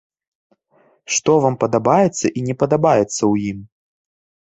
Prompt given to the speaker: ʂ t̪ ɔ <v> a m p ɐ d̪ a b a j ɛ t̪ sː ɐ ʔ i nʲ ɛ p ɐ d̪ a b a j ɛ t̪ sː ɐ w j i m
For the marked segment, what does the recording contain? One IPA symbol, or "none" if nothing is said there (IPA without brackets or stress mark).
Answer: v